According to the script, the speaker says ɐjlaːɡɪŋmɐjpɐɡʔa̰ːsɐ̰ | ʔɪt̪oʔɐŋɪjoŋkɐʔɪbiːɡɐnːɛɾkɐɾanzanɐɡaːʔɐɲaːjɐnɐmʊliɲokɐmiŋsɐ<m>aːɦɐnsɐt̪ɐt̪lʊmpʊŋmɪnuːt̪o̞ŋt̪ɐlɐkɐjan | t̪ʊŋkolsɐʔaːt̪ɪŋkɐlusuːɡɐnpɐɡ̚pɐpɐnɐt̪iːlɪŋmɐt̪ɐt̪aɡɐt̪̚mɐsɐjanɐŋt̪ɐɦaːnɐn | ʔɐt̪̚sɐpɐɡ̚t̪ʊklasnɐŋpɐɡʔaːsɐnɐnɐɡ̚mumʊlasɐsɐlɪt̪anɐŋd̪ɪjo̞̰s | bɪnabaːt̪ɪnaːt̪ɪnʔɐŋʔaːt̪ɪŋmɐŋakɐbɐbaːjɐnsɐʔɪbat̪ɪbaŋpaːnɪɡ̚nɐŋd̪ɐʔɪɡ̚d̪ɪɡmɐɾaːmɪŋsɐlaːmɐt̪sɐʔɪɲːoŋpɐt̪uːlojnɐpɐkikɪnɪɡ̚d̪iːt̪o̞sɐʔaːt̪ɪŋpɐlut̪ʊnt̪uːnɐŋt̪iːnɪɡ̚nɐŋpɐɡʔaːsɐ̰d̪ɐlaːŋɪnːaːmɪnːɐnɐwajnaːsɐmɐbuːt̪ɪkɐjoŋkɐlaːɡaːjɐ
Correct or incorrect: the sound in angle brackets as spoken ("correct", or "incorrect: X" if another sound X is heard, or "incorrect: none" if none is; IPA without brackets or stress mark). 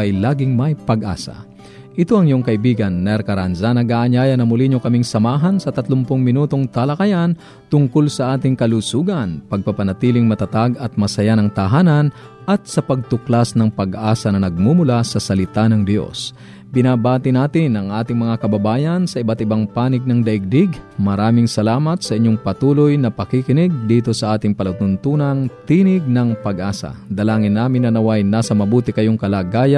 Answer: correct